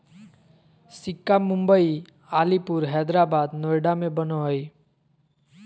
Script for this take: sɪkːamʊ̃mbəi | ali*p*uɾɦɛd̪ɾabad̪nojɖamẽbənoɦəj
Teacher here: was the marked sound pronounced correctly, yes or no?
yes